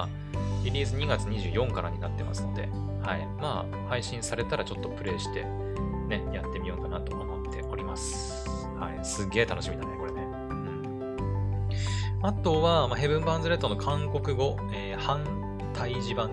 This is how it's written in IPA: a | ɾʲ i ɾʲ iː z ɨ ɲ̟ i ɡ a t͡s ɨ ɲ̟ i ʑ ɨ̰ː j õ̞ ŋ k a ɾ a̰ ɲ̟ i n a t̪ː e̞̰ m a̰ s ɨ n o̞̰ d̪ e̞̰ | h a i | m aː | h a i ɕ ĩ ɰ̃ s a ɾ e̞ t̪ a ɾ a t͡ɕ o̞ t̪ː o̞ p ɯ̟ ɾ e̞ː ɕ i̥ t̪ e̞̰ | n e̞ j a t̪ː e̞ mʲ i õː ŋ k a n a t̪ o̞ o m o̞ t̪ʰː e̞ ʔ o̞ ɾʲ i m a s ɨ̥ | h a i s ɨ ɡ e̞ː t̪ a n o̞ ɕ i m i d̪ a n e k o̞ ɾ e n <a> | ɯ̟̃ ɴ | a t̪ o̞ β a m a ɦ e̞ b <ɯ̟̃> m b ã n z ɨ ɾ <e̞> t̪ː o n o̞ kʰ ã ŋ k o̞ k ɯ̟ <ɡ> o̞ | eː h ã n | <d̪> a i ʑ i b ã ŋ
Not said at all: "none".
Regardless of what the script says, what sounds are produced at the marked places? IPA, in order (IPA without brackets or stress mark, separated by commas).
e, ɯ̟̃, e̞, ɡ, t̪